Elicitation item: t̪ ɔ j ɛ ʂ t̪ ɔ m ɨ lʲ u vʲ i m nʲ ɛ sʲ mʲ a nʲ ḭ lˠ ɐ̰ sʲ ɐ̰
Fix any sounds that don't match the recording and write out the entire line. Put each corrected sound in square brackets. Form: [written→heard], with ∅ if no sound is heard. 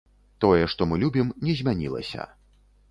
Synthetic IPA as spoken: t̪ ɔ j ɛ ʂ t̪ ɔ m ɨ lʲ u [vʲ→bʲ] i m nʲ ɛ [sʲ→zʲ] mʲ a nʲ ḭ lˠ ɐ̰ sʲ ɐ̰